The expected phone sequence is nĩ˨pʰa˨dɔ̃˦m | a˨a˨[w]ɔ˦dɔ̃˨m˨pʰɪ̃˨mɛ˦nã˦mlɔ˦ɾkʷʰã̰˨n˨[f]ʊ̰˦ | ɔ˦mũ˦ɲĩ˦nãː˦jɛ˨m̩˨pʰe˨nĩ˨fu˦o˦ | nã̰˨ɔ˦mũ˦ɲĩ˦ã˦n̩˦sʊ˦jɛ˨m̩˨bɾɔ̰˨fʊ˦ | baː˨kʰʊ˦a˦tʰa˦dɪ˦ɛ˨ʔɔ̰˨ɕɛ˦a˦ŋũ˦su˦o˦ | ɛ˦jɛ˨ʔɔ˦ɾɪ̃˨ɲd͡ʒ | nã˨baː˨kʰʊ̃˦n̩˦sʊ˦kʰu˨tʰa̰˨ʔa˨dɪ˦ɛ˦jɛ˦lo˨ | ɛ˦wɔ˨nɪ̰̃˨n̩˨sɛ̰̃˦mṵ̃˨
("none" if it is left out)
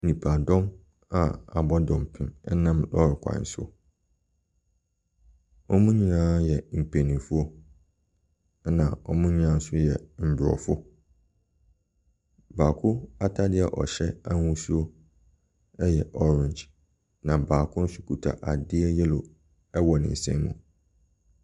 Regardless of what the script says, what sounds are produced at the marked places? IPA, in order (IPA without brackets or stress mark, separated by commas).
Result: b, s